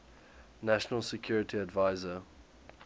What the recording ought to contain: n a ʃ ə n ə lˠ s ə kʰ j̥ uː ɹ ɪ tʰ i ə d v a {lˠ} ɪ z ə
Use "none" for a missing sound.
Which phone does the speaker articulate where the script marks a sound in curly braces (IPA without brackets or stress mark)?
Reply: none